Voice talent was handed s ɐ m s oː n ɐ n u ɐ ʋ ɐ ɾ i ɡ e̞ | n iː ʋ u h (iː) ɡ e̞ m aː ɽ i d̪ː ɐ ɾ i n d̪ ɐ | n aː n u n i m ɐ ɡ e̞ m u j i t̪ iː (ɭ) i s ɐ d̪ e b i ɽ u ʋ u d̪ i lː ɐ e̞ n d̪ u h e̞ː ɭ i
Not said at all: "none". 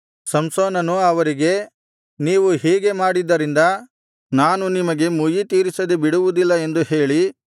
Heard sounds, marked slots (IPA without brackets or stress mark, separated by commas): iː, ɾ